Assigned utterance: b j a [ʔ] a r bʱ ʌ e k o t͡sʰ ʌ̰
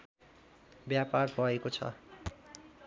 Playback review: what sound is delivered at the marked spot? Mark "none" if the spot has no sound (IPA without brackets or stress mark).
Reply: p